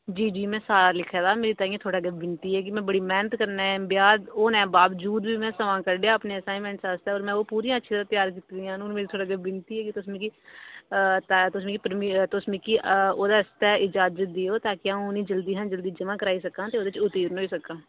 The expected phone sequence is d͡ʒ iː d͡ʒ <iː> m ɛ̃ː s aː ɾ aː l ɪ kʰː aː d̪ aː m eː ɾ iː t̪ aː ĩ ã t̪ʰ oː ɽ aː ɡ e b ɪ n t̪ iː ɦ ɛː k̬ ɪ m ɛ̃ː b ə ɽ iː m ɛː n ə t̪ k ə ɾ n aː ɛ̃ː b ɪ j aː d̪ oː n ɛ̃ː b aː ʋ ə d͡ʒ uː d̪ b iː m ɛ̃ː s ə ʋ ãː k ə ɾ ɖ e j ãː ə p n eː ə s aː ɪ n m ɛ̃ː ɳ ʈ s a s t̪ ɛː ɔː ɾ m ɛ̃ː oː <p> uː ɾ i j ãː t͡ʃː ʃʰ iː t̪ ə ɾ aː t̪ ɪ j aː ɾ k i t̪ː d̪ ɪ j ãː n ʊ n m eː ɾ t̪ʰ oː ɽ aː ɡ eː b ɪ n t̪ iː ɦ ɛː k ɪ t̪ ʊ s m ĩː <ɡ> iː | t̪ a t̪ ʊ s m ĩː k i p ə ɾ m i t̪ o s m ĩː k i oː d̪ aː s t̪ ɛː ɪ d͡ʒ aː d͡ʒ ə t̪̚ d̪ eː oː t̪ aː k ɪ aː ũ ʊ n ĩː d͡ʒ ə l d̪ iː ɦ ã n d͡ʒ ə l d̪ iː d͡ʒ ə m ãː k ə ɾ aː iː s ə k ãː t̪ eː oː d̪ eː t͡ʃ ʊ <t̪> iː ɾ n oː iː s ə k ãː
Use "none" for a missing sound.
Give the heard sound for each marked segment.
iː, p, k, t̪

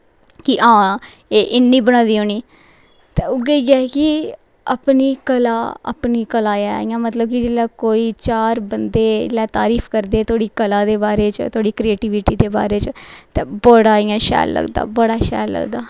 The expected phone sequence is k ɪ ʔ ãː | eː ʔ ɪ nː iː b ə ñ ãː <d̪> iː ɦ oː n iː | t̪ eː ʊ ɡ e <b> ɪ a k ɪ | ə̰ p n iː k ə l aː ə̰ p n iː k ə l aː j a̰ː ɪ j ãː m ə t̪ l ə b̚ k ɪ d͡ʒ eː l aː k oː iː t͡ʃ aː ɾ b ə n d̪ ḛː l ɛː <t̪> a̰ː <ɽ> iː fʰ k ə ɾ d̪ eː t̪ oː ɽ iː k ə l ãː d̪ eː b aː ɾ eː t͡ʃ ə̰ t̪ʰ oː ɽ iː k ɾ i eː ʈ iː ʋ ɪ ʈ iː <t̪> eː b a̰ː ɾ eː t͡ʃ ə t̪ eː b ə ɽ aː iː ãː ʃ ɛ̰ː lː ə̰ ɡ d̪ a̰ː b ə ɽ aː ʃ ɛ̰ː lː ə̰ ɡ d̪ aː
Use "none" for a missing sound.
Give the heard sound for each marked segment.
d̪, ɡ, t̪, ɾ, d̪

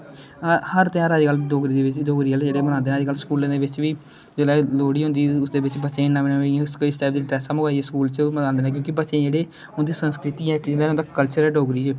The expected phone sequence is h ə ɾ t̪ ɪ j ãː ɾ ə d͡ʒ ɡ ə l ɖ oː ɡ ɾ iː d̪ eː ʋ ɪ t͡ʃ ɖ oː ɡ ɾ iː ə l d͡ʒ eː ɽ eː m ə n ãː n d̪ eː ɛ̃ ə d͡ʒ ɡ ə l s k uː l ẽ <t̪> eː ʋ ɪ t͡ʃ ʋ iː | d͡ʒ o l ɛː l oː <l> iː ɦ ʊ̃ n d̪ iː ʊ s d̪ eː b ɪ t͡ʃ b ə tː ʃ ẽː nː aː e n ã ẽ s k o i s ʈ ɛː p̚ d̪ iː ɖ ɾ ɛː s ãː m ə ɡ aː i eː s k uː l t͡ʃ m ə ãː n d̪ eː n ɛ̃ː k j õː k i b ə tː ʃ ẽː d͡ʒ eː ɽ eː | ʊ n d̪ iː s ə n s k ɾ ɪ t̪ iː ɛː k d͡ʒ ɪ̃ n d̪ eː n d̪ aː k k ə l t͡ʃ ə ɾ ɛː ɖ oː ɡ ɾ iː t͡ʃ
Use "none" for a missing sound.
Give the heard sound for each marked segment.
d̪, ɽ

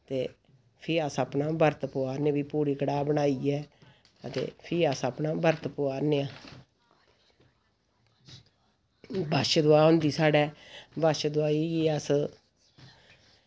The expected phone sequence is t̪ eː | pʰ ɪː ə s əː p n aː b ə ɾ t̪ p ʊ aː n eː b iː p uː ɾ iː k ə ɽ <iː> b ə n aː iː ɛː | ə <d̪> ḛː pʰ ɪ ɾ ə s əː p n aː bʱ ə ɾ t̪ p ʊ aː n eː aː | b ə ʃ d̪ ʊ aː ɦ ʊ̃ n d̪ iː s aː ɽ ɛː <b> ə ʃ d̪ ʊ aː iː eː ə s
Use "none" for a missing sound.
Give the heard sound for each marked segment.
aː, t̪, b

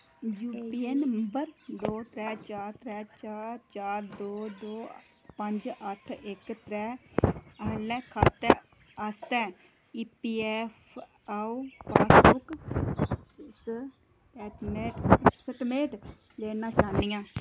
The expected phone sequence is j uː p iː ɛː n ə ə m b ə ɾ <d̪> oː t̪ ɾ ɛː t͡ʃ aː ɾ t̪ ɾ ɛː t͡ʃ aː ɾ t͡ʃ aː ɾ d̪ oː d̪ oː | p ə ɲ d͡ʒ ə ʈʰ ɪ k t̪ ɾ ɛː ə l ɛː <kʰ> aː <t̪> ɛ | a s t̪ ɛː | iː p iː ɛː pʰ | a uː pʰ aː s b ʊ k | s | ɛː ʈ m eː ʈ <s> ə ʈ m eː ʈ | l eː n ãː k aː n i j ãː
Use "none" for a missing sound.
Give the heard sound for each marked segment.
d̪, kʰ, t̪, s

